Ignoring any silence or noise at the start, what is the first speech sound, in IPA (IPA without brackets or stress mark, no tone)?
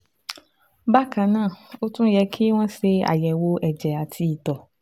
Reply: b